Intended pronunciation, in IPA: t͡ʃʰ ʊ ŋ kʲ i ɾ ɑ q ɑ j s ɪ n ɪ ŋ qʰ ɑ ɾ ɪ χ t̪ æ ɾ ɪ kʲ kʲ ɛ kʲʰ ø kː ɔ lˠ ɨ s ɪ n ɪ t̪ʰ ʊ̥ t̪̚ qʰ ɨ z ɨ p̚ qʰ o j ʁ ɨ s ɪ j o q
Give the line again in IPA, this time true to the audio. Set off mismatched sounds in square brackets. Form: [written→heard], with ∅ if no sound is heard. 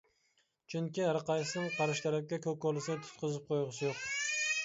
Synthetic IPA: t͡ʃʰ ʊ ŋ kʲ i ɾ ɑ q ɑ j s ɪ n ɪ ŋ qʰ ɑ ɾ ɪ [χ→ʃ] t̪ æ ɾ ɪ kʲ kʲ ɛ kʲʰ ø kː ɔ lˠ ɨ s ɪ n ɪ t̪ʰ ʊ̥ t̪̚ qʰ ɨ z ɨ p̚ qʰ o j ʁ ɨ s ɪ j o q